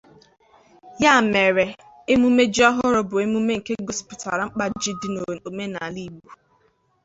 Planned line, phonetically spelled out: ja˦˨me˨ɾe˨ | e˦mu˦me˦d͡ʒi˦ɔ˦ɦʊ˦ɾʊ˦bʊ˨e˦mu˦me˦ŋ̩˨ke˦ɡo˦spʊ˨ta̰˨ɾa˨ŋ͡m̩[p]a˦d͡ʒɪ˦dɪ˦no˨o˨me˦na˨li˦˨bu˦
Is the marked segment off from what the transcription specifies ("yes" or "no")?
yes